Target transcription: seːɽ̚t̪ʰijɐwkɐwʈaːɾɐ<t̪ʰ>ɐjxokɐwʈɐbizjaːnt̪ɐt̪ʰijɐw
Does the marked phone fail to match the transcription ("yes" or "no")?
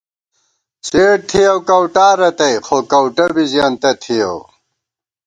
yes